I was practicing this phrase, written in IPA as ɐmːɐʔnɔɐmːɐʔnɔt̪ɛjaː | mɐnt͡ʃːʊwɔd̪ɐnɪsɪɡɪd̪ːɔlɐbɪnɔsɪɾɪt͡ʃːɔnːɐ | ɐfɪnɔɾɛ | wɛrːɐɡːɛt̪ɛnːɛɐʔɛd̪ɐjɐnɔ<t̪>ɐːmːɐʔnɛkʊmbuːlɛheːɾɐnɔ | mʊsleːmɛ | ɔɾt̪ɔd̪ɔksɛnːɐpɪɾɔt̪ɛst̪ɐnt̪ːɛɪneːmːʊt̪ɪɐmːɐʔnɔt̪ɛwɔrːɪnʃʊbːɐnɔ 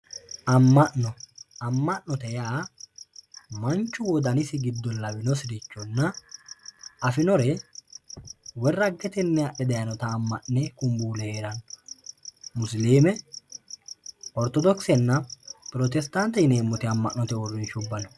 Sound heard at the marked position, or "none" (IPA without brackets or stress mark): t̪